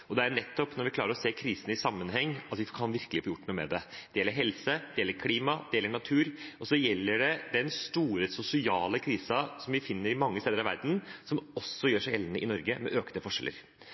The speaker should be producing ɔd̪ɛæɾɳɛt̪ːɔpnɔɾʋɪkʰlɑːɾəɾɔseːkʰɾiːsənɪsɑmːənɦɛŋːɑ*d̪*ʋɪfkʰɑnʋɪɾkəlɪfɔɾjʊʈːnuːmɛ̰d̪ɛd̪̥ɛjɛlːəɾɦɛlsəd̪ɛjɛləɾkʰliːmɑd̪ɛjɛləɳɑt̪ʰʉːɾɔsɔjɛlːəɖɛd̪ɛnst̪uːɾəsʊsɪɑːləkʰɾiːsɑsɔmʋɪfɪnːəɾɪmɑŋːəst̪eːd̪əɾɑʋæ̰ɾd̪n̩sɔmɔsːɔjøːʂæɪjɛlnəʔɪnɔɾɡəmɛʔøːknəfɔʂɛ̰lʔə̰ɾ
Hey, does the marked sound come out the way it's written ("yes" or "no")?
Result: no